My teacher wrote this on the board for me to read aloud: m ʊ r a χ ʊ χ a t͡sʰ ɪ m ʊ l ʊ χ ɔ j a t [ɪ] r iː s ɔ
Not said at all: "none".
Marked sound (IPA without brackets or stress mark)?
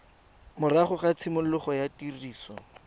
i